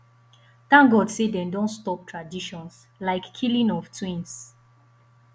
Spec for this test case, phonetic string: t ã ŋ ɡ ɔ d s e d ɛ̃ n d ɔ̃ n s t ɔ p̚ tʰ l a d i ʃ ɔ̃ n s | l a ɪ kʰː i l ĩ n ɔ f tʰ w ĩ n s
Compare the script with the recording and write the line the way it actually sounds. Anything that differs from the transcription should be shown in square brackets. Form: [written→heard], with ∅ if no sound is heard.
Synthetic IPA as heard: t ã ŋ ɡ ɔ d s e d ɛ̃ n d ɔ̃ n s t ɔ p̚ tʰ [l→ɹ] a d i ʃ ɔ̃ n s | l a ɪ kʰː i l ĩ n ɔ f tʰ w ĩ n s